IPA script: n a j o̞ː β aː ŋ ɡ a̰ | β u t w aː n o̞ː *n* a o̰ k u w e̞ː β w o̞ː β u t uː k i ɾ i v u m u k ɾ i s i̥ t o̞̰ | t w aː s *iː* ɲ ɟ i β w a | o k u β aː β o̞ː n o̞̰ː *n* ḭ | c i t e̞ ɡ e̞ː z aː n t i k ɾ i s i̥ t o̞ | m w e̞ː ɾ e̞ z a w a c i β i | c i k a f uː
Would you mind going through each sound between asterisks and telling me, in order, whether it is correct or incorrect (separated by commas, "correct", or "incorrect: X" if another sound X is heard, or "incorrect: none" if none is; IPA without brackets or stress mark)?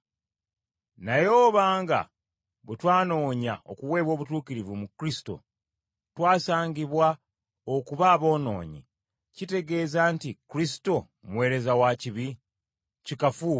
incorrect: ɲ, incorrect: aː, incorrect: ɲ